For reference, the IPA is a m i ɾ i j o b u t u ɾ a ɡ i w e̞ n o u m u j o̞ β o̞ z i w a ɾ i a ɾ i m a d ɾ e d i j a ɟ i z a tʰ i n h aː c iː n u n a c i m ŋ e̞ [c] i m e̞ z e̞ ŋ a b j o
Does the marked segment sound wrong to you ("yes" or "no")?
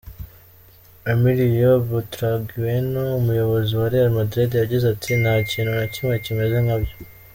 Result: no